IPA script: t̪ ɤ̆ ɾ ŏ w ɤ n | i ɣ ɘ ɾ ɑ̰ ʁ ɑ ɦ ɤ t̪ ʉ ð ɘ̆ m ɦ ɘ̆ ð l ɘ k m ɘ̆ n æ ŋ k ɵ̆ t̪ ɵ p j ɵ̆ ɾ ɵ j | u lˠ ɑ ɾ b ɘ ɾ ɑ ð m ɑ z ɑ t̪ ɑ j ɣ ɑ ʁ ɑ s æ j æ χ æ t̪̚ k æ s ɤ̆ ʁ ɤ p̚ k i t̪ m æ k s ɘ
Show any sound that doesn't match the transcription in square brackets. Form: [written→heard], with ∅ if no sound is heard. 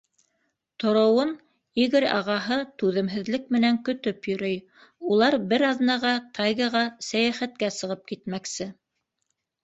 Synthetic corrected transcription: t̪ [ɤ̆→ŏ] ɾ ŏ w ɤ n | i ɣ ɘ ɾ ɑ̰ ʁ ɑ ɦ ɤ t̪ ʉ ð ɘ̆ m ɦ ɘ̆ ð l ɘ k m ɘ̆ n æ ŋ k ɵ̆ t̪ ɵ p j ɵ̆ ɾ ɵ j | u lˠ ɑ ɾ b ɘ ɾ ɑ ð [m→n] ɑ [z→ʁ] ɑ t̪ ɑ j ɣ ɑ ʁ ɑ s æ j æ χ æ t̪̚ k æ s ɤ̆ ʁ ɤ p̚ k i t̪ m æ k s ɘ